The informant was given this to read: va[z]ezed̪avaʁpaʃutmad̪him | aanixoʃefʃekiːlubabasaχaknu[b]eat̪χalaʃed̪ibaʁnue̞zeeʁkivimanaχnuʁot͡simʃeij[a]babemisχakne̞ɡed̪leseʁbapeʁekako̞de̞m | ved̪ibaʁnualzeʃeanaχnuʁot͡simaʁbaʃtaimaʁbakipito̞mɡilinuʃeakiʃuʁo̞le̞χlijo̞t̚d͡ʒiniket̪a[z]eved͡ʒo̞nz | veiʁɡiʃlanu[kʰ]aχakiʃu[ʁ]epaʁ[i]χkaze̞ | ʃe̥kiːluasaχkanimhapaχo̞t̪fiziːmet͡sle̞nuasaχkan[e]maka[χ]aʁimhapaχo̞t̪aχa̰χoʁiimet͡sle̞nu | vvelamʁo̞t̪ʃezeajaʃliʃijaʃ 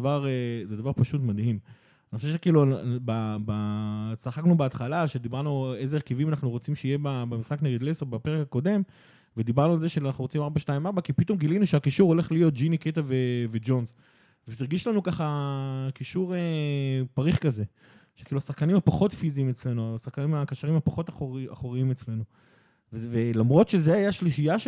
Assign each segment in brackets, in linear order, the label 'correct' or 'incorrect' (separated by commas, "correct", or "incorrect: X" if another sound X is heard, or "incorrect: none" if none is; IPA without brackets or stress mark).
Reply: incorrect: ʁ, correct, incorrect: e, incorrect: v, incorrect: k, correct, correct, incorrect: i, incorrect: ʃ